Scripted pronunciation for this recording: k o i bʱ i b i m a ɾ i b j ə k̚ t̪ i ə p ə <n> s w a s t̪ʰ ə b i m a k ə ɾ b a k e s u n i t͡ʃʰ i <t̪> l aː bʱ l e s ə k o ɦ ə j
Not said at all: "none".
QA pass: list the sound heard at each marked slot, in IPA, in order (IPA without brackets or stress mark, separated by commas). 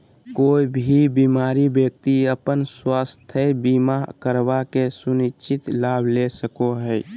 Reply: n, t̪